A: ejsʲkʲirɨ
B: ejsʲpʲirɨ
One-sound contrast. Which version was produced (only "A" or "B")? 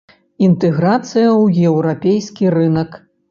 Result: A